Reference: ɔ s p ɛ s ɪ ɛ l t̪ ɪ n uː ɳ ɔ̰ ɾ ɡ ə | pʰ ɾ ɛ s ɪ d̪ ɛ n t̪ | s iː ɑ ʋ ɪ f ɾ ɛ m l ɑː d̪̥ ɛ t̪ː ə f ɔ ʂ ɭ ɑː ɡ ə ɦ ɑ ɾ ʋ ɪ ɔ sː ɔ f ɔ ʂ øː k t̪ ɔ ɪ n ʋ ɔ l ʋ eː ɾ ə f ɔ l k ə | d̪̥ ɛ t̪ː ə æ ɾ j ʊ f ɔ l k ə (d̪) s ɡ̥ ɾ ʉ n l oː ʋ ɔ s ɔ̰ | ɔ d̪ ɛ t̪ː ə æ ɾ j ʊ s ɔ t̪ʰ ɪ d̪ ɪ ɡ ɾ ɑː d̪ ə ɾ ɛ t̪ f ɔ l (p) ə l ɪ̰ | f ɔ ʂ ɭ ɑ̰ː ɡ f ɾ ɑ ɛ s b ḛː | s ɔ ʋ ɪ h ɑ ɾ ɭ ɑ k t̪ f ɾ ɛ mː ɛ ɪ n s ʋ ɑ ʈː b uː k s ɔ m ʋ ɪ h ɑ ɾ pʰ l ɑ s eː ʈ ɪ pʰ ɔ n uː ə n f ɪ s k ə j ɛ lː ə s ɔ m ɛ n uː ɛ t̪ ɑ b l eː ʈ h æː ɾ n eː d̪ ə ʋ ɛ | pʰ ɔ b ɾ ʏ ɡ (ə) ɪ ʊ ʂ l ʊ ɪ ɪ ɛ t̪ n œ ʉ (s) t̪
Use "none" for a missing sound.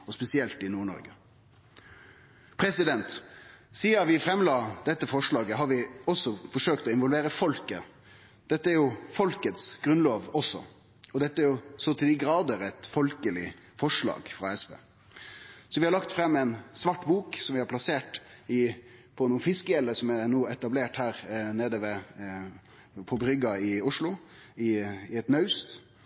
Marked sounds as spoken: t̪, k, ɑ, s

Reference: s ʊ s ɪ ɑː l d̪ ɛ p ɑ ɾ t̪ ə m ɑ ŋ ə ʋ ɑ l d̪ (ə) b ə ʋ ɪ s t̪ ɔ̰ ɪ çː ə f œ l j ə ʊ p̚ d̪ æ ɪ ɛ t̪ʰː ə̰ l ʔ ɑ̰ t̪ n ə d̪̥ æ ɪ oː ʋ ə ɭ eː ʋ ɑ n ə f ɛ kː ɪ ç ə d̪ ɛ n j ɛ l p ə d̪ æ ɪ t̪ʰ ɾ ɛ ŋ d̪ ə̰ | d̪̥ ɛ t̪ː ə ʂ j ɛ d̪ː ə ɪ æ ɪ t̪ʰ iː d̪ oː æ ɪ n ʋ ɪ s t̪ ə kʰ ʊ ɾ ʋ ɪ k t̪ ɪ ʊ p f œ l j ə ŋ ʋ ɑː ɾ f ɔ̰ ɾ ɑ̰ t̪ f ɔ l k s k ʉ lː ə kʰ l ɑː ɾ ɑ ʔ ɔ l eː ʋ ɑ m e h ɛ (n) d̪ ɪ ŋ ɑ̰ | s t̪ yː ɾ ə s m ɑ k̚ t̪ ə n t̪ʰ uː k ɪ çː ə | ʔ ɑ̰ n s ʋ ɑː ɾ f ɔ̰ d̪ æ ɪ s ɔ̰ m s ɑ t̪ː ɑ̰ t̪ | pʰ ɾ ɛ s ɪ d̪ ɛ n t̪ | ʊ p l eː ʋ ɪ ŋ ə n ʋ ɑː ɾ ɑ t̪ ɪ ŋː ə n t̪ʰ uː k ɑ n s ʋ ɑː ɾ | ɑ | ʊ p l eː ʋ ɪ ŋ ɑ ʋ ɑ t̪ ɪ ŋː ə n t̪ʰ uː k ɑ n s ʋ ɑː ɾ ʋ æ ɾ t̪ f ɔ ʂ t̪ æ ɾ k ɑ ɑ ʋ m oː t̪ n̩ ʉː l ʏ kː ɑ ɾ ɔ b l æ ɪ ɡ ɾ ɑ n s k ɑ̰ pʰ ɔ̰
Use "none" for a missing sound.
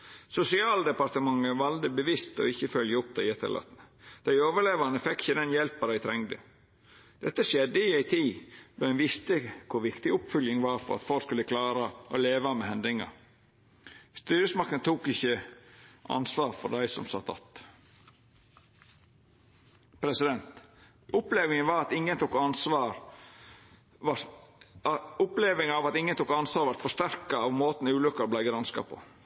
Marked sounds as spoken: ə, n

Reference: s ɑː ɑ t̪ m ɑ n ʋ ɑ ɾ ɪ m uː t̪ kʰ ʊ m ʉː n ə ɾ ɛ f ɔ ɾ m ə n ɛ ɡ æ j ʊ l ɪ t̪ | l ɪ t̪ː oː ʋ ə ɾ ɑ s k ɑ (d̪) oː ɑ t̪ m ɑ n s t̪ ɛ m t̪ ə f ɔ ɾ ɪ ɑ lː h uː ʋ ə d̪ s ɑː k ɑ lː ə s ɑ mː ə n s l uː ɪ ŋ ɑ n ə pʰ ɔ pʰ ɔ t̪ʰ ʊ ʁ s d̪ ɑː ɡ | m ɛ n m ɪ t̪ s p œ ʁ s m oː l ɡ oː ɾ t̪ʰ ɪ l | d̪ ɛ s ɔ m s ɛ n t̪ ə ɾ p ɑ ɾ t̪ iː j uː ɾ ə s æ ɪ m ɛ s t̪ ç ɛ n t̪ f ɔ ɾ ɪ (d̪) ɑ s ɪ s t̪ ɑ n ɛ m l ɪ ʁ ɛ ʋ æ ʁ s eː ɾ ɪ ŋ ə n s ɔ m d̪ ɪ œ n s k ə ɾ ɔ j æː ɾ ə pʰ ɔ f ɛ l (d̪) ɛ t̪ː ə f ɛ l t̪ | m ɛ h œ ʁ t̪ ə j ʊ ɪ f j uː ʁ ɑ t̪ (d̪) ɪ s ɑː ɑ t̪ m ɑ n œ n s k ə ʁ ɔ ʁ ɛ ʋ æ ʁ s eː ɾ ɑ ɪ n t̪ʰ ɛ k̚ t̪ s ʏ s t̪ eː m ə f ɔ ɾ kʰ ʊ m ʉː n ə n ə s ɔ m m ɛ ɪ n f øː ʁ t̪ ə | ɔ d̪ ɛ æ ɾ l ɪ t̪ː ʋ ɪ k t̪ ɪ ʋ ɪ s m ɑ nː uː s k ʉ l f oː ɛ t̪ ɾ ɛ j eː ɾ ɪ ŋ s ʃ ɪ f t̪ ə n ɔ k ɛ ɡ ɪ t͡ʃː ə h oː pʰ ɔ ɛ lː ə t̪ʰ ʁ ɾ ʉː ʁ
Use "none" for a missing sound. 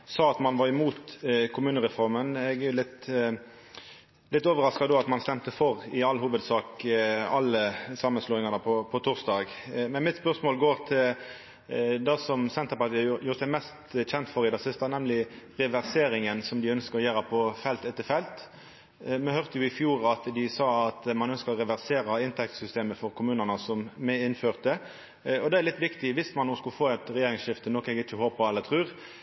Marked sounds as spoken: d̪, d̪, t̪, d̪

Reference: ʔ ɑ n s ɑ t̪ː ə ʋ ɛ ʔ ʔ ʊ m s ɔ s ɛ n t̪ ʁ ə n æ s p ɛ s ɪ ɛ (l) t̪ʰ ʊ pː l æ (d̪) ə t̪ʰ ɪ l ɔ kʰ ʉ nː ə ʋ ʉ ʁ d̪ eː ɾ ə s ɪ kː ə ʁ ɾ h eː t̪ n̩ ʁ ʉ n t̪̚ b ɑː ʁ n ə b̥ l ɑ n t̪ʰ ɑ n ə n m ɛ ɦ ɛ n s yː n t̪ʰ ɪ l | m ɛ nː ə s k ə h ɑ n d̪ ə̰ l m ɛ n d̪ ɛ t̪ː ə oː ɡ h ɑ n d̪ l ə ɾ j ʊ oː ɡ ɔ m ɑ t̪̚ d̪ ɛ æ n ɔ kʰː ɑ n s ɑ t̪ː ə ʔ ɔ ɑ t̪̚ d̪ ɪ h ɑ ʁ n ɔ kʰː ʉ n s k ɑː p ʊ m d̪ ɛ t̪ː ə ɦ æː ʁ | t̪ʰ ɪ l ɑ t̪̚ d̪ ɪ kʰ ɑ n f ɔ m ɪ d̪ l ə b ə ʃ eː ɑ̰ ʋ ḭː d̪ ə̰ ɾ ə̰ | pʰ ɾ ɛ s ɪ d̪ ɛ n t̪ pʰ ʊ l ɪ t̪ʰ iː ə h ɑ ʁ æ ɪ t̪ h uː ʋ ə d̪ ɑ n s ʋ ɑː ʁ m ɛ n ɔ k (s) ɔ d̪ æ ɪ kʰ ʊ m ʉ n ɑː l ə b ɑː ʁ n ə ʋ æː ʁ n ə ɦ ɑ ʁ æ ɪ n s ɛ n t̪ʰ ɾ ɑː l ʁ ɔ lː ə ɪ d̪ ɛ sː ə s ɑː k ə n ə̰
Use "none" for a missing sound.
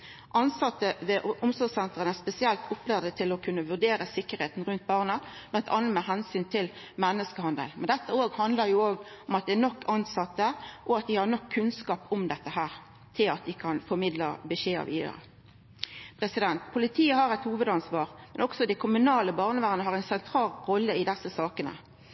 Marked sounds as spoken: l, d̪, s

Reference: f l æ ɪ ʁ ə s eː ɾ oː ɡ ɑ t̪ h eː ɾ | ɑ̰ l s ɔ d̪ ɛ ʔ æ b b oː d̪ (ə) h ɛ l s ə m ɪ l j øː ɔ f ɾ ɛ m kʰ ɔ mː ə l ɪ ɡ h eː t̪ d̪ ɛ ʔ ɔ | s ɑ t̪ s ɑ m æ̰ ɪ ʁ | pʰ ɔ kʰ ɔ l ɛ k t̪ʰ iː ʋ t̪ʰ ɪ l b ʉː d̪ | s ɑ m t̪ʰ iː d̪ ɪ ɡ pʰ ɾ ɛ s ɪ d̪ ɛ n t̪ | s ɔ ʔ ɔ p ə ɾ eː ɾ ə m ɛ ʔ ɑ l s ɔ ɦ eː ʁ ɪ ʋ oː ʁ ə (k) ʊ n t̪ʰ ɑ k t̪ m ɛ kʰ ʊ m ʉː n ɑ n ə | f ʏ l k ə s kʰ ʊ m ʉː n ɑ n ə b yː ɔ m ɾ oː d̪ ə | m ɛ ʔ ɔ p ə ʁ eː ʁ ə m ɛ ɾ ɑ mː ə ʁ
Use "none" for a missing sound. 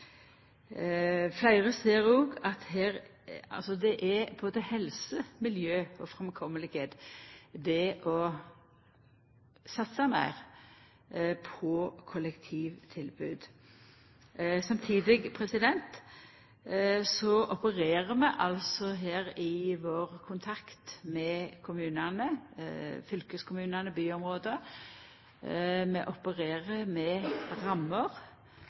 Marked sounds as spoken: ə, kʰ

